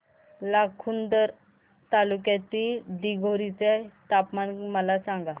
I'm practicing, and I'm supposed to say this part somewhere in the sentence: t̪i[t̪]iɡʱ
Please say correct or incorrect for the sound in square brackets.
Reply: incorrect: d̪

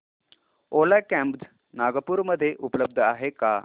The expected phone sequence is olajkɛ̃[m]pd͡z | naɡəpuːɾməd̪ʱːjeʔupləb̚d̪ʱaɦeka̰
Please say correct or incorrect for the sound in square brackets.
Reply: correct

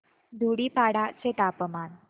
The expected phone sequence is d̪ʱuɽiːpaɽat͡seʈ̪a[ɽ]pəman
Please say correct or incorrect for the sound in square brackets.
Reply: incorrect: none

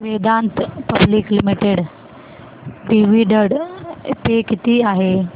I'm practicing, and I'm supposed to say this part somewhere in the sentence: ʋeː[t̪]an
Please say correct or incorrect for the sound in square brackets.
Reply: incorrect: d̪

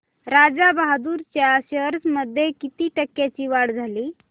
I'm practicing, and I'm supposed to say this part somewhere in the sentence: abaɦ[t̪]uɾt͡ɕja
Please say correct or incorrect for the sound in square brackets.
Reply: incorrect: d̪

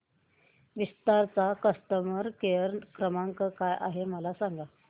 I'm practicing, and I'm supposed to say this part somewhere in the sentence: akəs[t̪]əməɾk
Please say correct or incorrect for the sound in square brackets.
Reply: correct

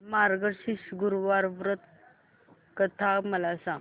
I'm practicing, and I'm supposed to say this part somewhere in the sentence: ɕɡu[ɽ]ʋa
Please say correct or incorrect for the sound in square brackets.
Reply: incorrect: ɾ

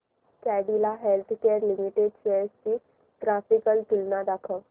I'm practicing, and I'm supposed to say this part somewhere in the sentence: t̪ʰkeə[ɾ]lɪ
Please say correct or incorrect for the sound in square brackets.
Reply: correct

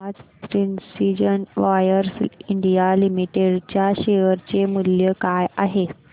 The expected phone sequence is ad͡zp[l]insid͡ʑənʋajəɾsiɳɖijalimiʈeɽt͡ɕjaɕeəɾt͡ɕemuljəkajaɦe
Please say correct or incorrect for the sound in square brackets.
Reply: incorrect: ɾ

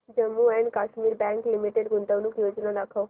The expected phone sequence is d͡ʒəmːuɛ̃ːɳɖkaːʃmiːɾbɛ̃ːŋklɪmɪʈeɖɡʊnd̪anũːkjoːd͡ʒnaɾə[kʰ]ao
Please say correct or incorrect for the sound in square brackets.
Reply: correct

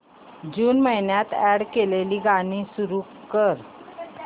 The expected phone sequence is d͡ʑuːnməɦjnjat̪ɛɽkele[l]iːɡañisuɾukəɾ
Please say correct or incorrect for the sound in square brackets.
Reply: correct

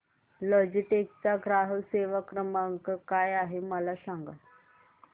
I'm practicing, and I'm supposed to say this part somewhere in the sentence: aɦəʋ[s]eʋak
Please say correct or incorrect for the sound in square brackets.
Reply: correct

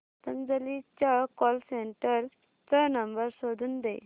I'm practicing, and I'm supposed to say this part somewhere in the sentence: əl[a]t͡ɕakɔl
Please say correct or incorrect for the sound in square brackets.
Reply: incorrect: i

